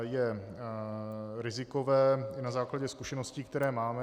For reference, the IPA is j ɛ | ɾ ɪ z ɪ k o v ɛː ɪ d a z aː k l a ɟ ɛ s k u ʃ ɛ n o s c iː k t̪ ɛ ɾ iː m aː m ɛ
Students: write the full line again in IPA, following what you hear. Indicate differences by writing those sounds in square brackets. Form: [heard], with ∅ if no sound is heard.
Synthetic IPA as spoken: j ɛ | ɾ ɪ z ɪ k o v ɛː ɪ [n] a z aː k l a ɟ ɛ s k u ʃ ɛ n o s c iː k t̪ ɛ ɾ [ɛː] m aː m ɛ